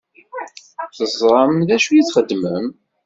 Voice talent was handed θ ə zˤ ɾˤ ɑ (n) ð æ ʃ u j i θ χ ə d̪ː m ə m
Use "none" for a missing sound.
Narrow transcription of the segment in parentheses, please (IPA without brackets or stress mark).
m